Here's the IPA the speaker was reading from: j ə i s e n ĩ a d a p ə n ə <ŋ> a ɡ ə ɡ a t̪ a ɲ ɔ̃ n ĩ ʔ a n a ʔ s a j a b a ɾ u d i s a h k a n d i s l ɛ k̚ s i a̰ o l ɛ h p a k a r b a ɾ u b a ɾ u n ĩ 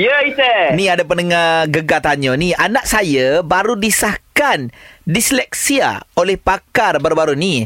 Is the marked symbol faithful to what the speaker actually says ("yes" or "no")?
yes